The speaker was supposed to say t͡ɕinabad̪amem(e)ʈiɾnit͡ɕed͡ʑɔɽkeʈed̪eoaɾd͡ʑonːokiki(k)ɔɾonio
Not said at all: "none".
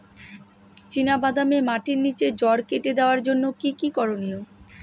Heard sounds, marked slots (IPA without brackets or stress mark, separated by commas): a, k